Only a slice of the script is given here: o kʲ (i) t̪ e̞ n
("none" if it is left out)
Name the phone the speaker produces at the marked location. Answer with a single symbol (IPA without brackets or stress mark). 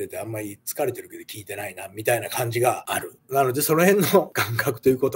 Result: iː